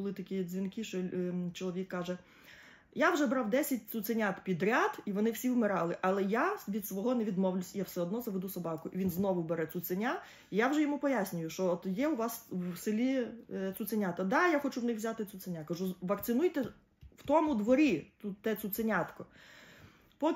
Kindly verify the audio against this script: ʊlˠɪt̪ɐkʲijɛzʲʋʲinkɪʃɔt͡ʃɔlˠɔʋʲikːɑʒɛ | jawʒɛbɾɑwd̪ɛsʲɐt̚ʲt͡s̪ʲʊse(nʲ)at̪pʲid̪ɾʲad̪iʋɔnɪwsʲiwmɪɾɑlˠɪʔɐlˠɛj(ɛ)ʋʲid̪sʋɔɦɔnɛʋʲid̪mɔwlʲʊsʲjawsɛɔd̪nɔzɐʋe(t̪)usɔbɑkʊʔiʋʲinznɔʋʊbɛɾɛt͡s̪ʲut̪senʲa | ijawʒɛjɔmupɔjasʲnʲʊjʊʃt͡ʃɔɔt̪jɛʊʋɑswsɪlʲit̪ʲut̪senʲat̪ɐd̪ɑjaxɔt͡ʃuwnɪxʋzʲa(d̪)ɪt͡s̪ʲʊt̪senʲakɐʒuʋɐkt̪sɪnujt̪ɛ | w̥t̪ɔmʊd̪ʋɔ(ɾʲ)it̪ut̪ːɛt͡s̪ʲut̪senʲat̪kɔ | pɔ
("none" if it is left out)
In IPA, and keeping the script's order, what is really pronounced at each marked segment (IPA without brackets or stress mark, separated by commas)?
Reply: nʲ, a, d̪, t̪, ɾʲ